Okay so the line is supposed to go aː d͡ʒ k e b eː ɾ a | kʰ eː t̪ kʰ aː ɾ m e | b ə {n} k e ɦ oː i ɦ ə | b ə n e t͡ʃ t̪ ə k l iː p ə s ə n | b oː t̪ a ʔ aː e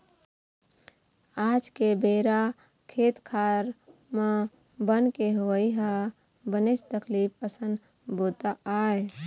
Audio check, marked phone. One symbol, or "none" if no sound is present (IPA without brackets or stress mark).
n